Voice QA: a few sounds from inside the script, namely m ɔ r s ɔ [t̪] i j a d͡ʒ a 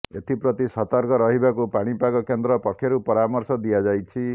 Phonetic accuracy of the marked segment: incorrect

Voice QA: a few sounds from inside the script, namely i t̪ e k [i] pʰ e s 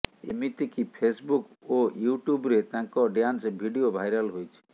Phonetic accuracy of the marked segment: correct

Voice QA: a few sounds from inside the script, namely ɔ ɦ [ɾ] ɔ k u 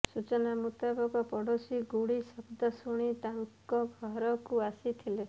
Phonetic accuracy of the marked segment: correct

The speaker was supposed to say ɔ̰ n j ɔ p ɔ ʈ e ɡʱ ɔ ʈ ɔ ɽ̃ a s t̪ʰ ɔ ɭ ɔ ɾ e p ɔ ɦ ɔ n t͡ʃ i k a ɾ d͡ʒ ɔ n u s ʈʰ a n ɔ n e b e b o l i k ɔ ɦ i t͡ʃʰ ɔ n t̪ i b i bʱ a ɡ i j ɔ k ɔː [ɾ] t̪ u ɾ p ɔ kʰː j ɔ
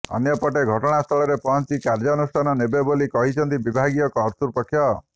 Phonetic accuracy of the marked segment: correct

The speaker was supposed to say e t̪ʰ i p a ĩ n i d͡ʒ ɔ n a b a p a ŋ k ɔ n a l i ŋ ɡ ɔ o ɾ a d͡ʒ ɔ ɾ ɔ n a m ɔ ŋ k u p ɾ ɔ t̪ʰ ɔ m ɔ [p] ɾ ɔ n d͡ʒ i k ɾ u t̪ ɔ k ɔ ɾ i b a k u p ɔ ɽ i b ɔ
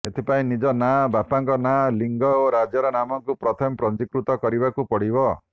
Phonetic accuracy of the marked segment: correct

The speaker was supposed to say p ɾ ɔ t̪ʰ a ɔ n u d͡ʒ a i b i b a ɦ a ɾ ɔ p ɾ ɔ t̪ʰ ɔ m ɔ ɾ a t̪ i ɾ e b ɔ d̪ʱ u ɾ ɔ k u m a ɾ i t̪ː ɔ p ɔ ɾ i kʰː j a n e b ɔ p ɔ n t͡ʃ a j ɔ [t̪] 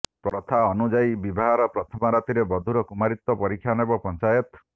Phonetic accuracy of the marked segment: correct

